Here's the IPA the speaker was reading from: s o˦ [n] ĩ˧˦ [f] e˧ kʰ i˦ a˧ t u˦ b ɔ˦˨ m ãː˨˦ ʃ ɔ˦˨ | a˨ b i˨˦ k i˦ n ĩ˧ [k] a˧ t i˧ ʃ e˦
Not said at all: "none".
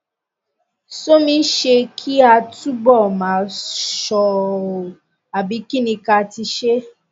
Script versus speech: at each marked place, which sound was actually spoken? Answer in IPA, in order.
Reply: m, ʃ, k

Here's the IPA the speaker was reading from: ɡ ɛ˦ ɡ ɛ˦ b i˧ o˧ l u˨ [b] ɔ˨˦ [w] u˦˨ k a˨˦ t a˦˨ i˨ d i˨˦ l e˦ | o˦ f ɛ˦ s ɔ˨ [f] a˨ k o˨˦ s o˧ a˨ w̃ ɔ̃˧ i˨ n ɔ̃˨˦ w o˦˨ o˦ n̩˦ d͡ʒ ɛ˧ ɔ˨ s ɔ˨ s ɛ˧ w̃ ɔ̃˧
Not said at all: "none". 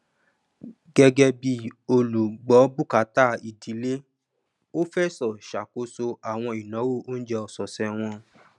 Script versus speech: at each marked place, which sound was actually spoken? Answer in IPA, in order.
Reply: ɡ͡b, b, ʃ

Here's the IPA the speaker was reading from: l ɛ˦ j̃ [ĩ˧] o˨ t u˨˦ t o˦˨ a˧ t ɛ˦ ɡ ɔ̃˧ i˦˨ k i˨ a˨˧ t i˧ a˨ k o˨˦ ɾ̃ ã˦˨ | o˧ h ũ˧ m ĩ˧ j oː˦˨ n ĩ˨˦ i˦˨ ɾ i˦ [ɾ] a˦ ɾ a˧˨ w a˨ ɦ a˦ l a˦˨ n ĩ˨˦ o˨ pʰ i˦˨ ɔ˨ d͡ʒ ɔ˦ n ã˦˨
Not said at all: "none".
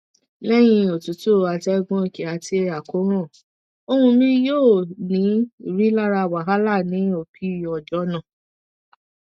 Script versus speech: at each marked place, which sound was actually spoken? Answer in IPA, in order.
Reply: ĩ˧, l

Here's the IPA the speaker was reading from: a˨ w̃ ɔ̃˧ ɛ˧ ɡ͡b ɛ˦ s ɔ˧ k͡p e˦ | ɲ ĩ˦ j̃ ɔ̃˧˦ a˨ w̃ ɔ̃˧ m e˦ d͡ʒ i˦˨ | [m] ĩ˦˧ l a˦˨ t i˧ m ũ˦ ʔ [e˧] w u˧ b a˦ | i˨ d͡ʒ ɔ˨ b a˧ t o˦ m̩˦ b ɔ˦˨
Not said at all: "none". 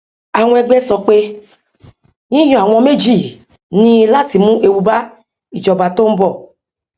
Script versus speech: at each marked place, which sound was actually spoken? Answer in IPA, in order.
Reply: n, e˧

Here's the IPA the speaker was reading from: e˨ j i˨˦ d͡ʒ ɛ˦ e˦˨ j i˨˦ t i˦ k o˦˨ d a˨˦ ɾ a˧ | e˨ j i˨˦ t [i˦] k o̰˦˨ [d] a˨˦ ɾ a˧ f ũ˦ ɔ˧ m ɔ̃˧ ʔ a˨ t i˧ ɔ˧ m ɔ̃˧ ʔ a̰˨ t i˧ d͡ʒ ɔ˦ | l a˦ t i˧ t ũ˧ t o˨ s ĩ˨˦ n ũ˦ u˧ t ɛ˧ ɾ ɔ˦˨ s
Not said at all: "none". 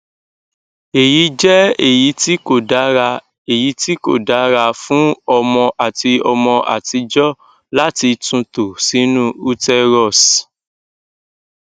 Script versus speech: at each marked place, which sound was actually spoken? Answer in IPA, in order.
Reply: i˦, d

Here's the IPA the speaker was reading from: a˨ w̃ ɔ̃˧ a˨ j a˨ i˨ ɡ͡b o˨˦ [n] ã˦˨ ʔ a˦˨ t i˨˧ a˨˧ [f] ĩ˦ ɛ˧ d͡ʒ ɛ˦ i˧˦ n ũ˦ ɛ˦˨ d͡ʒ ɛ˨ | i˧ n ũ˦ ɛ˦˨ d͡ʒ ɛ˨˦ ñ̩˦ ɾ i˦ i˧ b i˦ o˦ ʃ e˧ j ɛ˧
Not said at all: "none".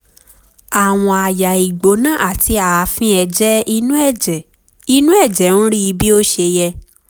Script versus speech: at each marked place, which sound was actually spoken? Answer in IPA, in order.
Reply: n, f

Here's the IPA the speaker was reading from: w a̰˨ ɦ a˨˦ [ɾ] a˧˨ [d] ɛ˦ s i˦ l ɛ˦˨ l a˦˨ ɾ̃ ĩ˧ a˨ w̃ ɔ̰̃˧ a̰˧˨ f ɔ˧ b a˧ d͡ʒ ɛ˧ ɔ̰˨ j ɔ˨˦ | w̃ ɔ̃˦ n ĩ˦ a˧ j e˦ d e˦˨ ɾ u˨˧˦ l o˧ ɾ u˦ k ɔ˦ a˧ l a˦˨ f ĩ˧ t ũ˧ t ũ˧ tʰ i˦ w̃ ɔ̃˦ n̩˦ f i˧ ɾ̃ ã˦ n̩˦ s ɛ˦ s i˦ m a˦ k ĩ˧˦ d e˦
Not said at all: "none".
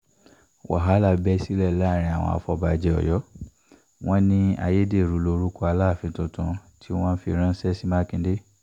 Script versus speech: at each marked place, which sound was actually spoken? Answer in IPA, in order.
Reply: l, b

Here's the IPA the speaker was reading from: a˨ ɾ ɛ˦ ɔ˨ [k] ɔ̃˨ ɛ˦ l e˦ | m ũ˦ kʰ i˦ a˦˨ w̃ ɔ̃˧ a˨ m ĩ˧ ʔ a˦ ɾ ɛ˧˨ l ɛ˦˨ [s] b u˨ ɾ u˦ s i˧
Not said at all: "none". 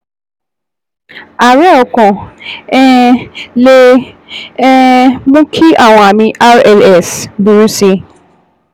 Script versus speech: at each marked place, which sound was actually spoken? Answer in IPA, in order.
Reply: k, s

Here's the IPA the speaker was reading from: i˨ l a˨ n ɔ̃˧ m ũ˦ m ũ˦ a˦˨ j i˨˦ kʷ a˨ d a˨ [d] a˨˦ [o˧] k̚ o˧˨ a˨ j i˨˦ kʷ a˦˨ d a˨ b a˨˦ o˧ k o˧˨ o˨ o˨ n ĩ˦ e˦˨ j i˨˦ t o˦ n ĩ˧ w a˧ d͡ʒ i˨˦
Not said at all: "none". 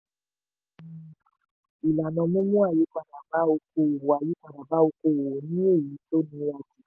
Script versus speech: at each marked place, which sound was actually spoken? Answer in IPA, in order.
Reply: b, o˧

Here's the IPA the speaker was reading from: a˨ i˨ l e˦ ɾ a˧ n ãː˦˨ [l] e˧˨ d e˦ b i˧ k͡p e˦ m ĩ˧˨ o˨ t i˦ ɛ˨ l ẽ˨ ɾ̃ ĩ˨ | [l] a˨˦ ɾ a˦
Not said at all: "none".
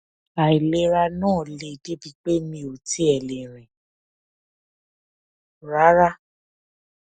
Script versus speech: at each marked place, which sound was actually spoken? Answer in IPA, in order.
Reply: l, ɾ

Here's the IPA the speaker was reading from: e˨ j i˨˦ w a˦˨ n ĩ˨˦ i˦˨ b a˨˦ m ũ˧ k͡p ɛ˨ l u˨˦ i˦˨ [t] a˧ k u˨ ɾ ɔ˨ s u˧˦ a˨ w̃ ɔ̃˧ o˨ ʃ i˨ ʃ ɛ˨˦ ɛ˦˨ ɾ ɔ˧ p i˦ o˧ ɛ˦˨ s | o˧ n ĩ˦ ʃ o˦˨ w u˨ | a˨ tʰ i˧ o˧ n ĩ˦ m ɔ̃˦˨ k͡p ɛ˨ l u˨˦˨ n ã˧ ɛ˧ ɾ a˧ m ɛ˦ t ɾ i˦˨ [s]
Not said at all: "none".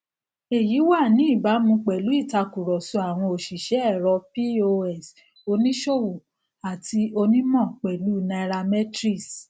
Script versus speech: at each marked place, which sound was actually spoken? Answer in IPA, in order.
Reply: t, s

